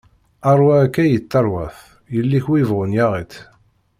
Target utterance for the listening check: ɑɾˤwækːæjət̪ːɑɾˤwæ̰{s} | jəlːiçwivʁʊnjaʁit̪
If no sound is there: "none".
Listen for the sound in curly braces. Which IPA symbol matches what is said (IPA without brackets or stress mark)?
θ